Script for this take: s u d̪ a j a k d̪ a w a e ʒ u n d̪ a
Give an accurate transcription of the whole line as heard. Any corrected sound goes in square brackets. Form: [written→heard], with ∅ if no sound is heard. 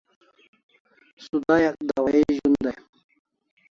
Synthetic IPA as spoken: s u d̪ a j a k d̪ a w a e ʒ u n d̪ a